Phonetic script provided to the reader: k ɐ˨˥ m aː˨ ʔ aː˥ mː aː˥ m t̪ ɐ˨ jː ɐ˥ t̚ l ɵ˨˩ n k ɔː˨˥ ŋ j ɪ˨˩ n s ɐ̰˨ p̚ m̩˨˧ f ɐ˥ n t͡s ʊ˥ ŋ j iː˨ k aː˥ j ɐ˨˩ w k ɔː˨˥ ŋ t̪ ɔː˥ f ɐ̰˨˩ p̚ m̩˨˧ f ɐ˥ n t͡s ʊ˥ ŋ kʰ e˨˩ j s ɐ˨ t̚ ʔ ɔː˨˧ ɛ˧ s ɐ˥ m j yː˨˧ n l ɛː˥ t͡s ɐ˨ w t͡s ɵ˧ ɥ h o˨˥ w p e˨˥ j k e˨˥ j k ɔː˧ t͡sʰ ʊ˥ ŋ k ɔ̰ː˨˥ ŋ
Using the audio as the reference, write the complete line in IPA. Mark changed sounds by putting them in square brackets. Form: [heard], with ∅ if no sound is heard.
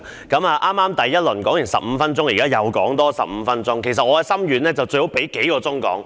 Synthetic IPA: k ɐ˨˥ m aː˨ ʔ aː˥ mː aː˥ m t̪ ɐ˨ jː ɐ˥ t̚ l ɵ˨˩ n k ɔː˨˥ ŋ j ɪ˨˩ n s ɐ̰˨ p̚ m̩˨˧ f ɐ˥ n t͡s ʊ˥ ŋ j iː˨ k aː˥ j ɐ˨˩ w k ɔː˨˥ ŋ t̪ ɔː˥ [s] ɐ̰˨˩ p̚ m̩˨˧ f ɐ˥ n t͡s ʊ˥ ŋ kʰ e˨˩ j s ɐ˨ t̚ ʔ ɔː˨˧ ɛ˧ s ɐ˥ m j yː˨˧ n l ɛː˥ t͡s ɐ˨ w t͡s ɵ˧ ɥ h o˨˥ w p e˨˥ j k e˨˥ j k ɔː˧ [t͡s] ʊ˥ ŋ k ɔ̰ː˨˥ ŋ